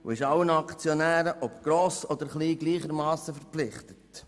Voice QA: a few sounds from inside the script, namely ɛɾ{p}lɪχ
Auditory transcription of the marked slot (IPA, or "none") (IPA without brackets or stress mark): p